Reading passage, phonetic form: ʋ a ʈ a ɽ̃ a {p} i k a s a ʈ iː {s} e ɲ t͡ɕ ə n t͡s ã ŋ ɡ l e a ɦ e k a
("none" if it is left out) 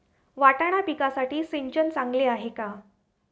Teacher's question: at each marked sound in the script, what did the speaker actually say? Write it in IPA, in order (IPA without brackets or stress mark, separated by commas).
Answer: p, s